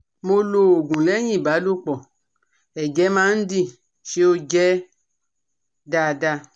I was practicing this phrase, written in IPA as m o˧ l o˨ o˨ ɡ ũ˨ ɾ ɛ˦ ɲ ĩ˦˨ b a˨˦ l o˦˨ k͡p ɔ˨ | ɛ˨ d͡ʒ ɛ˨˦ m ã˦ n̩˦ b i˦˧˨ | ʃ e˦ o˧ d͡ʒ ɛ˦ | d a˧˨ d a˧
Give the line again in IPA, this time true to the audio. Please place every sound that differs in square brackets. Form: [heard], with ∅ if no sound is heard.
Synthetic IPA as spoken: m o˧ l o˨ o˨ ɡ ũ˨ [l] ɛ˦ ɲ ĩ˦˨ b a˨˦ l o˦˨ k͡p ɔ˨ | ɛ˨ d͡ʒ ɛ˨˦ m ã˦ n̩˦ [d] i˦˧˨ | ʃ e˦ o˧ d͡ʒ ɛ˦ | d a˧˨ d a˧